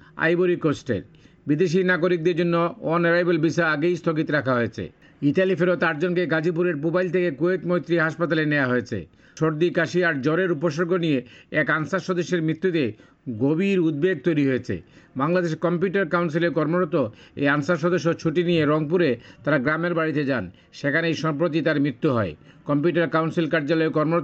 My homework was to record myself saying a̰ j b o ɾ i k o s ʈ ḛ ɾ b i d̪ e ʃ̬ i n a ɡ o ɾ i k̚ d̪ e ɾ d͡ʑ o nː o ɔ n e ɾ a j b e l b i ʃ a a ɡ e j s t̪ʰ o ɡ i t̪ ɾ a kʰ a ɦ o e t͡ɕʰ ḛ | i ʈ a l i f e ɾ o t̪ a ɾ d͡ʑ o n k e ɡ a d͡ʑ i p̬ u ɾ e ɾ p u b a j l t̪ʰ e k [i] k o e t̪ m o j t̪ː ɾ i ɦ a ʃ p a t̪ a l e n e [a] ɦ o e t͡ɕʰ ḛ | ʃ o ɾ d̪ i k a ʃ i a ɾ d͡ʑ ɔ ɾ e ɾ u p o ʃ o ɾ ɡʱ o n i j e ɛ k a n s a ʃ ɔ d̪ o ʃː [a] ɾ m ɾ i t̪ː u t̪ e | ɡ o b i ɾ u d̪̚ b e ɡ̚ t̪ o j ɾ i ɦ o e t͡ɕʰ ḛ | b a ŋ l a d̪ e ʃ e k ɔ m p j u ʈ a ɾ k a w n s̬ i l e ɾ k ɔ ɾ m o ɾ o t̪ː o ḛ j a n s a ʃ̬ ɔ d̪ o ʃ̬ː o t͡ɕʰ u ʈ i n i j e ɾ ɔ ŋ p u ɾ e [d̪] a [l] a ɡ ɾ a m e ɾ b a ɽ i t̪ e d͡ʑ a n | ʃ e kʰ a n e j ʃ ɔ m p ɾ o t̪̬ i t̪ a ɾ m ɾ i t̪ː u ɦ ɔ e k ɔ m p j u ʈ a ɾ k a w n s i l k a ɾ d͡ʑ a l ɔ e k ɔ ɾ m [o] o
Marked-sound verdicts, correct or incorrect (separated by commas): incorrect, correct, incorrect, incorrect, incorrect, correct